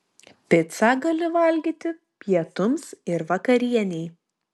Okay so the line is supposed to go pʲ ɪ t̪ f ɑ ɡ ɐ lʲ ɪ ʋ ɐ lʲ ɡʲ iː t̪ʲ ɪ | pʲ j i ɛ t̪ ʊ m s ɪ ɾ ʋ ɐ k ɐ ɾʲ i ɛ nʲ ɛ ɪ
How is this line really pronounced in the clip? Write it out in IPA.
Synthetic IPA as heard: pʲ ɪ t̪ s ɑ ɡ ɐ lʲ ɪ ʋ ɐ lʲ ɡʲ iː t̪ʲ ɪ | pʲ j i ɛ t̪ ʊ m s ɪ ɾ ʋ ɐ k ɐ ɾʲ i ɛ nʲ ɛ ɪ